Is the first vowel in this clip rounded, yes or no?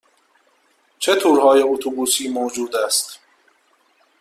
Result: no